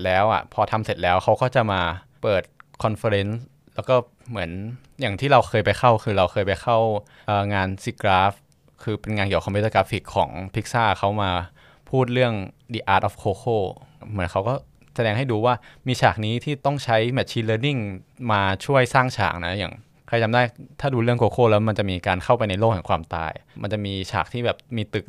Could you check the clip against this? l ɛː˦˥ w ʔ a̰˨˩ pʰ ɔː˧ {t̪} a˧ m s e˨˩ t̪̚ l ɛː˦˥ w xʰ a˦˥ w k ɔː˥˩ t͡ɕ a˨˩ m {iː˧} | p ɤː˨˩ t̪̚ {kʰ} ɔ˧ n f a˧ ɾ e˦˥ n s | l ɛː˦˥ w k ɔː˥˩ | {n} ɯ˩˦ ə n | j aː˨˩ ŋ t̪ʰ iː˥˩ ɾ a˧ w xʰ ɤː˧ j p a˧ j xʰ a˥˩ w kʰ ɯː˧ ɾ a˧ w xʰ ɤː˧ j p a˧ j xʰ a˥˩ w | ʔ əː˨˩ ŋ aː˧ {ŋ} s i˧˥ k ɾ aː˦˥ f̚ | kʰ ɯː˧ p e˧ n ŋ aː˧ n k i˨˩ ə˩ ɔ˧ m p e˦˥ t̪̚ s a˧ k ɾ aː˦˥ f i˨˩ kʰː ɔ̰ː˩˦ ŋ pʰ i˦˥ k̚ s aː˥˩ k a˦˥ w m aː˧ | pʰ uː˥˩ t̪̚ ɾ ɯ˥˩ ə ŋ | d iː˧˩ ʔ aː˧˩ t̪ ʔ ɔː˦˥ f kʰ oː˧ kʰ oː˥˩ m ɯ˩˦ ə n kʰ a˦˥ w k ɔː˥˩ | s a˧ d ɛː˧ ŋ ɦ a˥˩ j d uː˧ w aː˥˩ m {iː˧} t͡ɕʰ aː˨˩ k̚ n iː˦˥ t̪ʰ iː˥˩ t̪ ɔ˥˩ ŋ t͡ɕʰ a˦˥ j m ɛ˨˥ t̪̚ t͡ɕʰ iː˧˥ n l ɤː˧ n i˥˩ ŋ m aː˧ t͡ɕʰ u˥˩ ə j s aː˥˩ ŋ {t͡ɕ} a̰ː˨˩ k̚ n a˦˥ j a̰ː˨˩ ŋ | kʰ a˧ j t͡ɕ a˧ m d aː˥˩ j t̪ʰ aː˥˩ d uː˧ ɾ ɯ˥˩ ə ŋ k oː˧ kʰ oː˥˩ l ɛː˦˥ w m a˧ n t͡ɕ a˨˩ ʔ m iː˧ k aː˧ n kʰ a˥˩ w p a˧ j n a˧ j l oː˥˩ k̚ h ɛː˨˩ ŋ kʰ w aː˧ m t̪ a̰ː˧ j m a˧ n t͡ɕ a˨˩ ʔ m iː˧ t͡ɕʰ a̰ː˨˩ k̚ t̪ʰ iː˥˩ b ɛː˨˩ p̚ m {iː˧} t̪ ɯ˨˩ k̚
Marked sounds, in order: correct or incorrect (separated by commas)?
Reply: incorrect, incorrect, correct, incorrect, incorrect, correct, incorrect, correct